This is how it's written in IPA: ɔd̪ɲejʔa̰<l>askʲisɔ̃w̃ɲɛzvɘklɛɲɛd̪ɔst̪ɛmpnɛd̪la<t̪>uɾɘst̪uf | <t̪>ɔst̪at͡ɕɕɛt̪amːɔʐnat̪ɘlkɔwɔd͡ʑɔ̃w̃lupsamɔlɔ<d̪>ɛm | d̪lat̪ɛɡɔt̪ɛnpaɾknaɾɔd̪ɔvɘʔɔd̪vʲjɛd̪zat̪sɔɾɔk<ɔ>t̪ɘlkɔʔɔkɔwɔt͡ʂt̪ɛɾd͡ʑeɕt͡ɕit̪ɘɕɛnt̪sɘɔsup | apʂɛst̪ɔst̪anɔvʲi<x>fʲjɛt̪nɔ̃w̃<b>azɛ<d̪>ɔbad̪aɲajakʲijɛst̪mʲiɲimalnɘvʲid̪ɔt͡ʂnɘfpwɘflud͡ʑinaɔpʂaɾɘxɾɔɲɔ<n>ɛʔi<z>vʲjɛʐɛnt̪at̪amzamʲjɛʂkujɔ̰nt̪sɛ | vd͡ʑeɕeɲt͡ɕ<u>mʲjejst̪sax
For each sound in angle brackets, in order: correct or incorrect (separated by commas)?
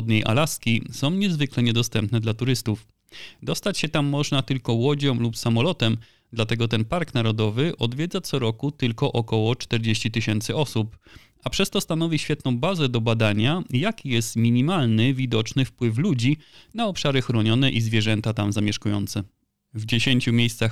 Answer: correct, correct, incorrect, incorrect, incorrect, incorrect, correct, correct, correct, correct, correct